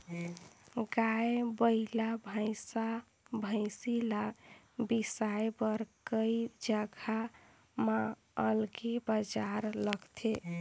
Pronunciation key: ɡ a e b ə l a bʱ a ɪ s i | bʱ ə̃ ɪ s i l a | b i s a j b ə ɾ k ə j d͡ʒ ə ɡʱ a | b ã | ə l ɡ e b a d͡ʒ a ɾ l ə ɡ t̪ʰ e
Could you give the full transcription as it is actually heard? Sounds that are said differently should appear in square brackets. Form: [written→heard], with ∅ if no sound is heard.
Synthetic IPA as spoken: ɡ a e b ə l a bʱ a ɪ s [i→a] | bʱ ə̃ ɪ s i l a | b i s a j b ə ɾ k ə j d͡ʒ ə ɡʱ a | [b→m] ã | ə l ɡ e b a d͡ʒ a ɾ l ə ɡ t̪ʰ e